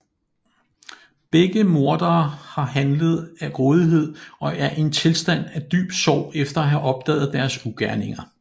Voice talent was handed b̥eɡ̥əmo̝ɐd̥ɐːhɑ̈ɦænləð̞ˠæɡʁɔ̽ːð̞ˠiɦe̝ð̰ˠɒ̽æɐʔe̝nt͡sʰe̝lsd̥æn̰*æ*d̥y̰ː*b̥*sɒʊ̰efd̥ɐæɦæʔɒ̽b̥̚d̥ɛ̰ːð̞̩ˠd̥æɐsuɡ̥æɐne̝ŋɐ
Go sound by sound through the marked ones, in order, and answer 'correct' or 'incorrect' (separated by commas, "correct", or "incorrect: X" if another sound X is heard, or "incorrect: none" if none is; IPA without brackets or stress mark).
correct, correct